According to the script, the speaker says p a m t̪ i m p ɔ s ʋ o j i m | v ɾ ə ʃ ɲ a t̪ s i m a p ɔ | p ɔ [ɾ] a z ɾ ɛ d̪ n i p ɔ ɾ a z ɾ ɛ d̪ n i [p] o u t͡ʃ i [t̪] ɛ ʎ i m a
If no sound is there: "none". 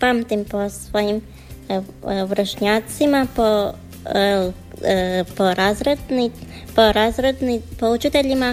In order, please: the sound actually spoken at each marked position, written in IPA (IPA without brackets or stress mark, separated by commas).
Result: ɾ, p, t̪